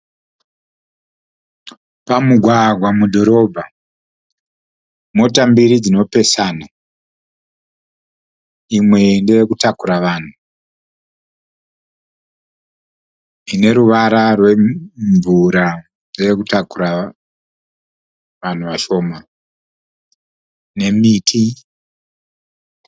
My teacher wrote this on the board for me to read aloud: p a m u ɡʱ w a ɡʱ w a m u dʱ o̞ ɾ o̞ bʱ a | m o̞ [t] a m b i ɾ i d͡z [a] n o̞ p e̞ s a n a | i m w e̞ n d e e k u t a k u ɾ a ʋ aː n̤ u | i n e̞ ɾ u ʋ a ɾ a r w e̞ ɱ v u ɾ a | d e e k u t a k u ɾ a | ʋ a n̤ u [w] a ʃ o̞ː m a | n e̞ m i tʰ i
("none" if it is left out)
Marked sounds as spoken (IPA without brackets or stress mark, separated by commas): t, i, ʋ